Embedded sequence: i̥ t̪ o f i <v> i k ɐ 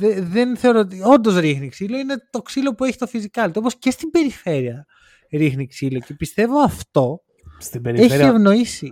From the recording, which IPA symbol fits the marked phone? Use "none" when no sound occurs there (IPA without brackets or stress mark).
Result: z